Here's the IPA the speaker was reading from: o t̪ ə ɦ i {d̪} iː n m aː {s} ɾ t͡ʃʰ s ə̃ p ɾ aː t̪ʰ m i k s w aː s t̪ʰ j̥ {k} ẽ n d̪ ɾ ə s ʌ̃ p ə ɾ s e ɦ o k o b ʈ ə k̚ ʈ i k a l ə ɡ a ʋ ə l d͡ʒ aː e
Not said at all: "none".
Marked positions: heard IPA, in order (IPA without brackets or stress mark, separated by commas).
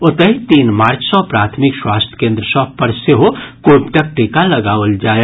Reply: t̪, none, k